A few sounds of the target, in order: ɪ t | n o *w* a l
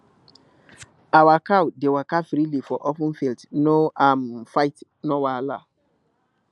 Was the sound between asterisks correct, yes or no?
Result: yes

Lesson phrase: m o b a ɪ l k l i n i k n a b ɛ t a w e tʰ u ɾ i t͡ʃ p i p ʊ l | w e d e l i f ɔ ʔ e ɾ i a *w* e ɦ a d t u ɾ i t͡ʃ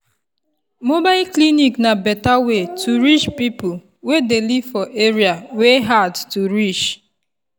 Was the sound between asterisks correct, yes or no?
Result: yes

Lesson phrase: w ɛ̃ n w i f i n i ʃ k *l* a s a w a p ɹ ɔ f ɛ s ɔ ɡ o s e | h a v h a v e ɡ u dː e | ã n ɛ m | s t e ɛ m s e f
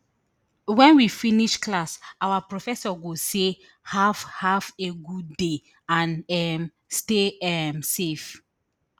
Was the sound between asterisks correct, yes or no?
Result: yes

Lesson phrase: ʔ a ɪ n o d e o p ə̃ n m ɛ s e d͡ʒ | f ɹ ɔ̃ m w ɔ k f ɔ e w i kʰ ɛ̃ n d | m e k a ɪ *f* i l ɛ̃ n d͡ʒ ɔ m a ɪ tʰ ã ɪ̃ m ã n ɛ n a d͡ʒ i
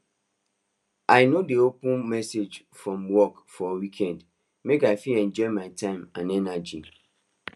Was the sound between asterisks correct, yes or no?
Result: yes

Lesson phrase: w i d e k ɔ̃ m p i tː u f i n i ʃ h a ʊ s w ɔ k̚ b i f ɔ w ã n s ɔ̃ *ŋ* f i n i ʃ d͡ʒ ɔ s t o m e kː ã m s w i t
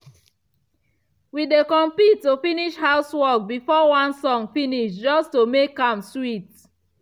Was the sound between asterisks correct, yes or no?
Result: yes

